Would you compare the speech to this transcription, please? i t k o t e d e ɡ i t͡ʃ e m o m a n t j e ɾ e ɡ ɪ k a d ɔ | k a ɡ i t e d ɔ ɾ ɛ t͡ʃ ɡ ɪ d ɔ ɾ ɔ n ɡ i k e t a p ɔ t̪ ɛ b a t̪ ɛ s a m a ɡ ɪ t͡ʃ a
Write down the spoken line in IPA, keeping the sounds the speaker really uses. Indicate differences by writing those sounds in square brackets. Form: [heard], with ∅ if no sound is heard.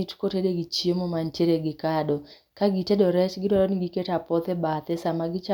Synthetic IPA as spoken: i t k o t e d e ɡ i t͡ʃ e m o m a n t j e ɾ e ɡ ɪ k a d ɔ | k a ɡ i t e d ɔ ɾ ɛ t͡ʃ ɡ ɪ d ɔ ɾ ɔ n ɡ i k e t a p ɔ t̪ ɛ b a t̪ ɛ s a m a ɡ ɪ t͡ʃ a